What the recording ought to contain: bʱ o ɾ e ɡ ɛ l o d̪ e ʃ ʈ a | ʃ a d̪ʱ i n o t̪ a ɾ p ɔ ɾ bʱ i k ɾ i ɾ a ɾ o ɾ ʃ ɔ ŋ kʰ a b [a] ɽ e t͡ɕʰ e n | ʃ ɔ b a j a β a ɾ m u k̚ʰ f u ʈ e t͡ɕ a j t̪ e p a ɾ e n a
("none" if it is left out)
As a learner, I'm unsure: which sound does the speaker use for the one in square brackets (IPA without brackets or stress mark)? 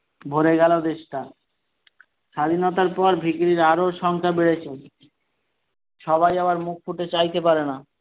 e